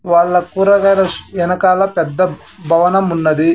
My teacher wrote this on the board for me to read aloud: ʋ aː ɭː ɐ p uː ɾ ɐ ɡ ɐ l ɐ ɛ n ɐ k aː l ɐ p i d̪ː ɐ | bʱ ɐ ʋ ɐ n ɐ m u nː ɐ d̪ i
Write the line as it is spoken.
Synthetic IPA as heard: ʋ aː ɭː ɐ k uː ɾ ɐ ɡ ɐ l ɐ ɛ n ɐ k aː l ɐ p ɛ d̪ː ɐ | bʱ ɐ ʋ ɐ n ɐ m u nː ɐ d̪ i